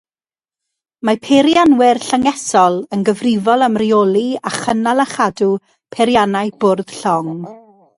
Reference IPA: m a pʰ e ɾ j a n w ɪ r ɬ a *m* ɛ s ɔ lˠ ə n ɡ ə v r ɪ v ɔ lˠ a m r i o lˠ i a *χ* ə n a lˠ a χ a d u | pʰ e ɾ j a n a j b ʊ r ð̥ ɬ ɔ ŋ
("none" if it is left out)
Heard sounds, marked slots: ŋ, χ

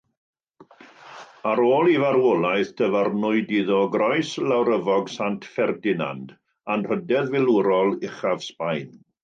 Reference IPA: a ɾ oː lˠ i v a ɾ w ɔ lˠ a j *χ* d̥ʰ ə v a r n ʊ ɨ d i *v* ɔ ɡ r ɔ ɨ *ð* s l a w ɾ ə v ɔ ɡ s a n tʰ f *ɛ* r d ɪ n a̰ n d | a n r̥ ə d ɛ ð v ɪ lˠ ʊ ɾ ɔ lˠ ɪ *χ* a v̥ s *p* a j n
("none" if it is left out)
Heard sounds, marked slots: θ, ð, none, ɛ, χ, p

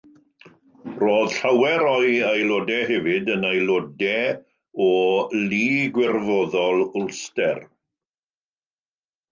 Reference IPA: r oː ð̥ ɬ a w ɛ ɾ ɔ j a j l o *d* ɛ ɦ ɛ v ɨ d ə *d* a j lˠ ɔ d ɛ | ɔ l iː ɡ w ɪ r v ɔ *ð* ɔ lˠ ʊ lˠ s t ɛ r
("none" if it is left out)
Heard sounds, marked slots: d, n, ð

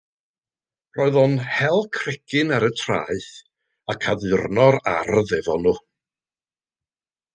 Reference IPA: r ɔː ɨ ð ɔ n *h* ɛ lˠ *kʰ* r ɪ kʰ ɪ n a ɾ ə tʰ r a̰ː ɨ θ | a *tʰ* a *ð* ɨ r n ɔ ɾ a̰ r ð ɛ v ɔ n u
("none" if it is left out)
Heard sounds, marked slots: h, kʰ, kʰ, ð

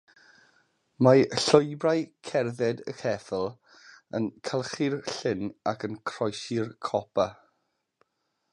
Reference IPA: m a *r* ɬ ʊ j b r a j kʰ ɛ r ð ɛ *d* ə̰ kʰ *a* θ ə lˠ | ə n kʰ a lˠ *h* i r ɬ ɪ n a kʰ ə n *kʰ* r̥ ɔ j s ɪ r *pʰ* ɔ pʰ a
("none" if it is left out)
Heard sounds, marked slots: none, d, ɛ, χ, kʰ, kʰ

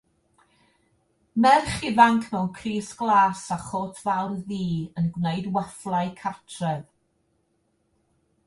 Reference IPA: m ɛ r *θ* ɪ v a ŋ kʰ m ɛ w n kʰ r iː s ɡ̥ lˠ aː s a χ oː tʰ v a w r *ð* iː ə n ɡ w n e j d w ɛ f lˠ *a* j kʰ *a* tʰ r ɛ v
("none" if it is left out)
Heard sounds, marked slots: χ, ð, a, a

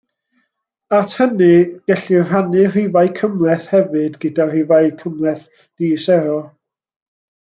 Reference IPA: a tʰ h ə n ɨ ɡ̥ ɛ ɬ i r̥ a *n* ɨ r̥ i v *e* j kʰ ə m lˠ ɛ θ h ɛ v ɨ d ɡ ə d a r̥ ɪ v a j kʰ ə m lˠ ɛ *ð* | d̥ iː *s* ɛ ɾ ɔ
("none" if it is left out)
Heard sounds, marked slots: n, a, θ, s

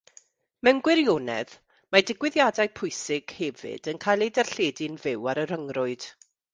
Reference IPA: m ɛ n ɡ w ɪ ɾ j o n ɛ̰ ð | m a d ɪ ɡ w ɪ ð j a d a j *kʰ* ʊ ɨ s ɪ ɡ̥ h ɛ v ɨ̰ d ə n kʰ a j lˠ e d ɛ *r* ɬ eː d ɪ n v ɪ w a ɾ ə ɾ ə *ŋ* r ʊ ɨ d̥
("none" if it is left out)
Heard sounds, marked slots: pʰ, r, ŋ

